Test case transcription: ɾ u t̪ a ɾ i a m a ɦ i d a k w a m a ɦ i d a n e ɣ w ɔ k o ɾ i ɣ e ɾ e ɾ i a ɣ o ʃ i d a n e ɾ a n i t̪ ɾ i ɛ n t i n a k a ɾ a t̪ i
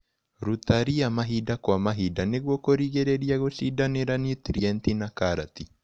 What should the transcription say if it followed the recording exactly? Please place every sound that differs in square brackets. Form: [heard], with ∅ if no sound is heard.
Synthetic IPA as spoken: ɾ u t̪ a ɾ i a m a ɦ i d a k w a m a ɦ i d a n e ɣ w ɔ k o ɾ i ɣ e ɾ e ɾ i a ɣ o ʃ i d a n e ɾ a n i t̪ ɾ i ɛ n t i n a k a ɾ a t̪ i